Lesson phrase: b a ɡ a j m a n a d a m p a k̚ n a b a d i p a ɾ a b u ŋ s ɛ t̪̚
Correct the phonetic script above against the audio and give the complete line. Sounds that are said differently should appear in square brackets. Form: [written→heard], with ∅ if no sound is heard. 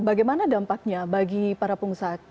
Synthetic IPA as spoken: b a ɡ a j m a n a d a m p a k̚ [n→ɲ] a b a [d→ɡ] i p a ɾ a [b→p] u ŋ s [ɛ→a] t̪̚